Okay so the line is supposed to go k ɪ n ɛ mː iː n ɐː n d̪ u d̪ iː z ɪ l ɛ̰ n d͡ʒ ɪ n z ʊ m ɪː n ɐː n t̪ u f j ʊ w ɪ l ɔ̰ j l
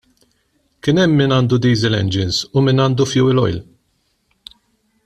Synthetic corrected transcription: k ɪ n ɛ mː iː n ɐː n d̪ u d̪ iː z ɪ l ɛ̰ n d͡ʒ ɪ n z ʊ m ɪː n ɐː n d̪ u f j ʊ w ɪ l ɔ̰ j l